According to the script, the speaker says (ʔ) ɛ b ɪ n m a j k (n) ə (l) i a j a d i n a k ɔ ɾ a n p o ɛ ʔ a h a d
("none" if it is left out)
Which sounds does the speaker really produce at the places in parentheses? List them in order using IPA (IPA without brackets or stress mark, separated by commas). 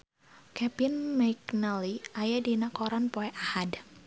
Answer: k, n, l